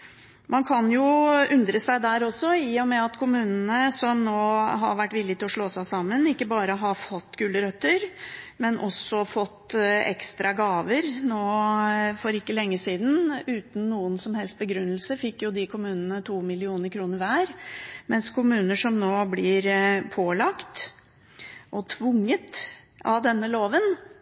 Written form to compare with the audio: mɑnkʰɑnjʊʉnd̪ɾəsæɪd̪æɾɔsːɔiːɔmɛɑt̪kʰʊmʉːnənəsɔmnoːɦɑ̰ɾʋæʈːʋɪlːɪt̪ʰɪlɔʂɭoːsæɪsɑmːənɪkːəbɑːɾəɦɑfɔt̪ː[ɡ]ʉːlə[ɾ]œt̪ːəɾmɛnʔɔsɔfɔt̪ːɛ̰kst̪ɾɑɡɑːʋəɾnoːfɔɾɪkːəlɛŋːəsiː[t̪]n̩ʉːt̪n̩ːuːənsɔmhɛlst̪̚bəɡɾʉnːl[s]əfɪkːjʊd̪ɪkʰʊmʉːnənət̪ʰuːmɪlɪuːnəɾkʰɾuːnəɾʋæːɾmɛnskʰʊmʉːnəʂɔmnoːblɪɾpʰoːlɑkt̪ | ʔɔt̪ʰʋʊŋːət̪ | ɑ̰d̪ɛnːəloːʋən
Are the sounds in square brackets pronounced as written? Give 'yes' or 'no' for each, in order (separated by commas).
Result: yes, yes, no, yes